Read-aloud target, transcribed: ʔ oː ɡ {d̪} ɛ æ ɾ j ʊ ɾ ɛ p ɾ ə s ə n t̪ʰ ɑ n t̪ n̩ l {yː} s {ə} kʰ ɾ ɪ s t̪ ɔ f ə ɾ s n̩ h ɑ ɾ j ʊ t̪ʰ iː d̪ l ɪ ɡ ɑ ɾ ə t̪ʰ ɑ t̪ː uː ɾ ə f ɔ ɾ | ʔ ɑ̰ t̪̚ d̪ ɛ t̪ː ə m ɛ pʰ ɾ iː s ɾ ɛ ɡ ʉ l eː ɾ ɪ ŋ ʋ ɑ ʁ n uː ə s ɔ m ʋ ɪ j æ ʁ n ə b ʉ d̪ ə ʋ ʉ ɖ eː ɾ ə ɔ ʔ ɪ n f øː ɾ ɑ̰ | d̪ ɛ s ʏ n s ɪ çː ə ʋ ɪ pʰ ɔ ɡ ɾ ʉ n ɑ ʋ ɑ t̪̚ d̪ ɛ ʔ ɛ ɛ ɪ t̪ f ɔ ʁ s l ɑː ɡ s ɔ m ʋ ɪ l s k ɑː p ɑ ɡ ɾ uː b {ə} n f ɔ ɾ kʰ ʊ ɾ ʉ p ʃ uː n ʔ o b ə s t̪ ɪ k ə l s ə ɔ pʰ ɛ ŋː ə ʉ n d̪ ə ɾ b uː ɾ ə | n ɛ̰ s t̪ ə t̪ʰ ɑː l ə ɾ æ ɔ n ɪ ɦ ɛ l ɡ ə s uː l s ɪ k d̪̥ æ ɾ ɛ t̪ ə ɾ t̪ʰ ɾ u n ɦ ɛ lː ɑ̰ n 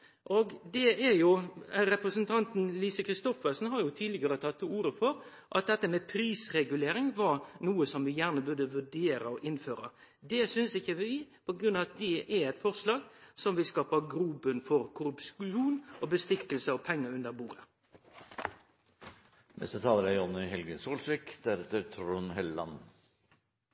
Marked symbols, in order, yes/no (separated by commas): yes, no, yes, yes